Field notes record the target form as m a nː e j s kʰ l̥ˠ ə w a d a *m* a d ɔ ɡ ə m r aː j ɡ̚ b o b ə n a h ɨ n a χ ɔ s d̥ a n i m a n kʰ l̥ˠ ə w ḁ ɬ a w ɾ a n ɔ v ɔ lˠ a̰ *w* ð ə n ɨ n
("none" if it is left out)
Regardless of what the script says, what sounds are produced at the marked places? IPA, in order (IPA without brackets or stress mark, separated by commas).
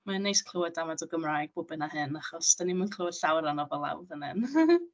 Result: m, w